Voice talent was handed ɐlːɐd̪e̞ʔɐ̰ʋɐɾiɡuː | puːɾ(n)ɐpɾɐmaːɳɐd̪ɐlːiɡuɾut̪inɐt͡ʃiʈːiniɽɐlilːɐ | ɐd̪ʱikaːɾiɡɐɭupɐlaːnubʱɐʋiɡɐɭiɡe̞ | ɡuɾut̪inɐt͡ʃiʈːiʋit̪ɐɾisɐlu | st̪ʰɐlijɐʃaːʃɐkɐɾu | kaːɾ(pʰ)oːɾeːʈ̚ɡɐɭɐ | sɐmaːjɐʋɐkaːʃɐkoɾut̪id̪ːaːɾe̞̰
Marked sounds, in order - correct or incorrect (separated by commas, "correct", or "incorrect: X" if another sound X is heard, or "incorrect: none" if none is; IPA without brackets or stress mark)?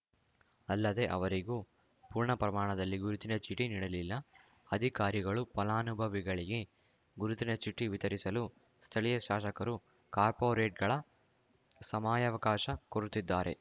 incorrect: ɳ, incorrect: p